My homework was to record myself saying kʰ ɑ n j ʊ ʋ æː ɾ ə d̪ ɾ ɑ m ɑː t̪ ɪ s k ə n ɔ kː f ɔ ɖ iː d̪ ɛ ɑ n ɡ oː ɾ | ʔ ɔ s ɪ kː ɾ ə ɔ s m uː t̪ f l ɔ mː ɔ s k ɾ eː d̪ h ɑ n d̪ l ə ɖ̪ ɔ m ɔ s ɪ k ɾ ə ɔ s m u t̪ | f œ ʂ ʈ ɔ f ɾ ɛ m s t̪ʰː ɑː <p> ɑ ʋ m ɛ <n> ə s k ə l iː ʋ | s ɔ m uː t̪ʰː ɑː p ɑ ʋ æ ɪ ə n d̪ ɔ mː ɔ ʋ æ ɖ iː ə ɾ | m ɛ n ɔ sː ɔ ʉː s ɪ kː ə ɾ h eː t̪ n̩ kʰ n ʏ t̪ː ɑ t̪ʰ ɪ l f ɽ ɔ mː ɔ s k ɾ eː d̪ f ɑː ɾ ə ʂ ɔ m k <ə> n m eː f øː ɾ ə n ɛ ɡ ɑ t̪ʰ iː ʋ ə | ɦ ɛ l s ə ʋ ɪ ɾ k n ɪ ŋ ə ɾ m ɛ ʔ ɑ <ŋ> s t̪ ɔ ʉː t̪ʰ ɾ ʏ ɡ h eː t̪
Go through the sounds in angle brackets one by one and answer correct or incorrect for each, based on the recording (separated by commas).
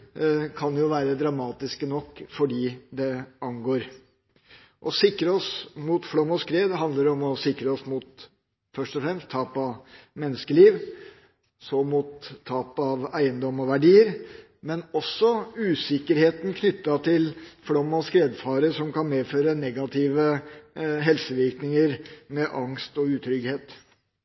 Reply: correct, incorrect, incorrect, correct